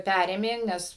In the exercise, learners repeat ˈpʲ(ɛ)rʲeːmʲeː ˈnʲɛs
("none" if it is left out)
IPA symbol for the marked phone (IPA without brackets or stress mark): æ